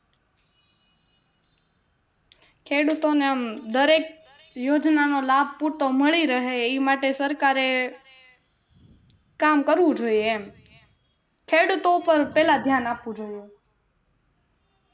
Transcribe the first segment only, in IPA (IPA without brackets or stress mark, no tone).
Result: kʰ